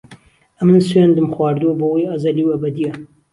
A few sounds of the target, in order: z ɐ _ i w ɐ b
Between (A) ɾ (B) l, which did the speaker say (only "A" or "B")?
B